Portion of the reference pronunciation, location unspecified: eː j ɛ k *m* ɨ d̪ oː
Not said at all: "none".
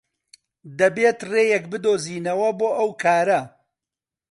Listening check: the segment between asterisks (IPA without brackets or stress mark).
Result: b